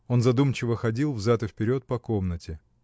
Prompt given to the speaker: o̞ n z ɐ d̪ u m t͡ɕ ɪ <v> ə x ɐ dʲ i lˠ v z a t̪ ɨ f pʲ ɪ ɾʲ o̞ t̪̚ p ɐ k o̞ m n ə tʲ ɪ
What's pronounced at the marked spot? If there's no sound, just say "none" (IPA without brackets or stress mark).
v